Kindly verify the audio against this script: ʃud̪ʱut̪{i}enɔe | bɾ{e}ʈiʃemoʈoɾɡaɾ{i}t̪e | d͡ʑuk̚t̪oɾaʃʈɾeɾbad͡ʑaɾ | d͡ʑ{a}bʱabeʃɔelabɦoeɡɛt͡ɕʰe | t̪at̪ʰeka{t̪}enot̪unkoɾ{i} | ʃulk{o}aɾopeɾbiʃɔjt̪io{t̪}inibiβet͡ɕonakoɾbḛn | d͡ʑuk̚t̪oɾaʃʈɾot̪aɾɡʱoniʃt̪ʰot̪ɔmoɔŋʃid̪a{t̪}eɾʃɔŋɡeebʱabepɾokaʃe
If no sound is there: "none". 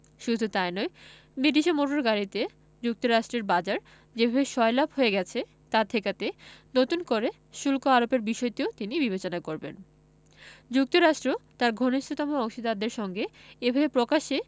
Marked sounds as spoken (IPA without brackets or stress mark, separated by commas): a, i, i, e, t̪, e, o, t̪, d̪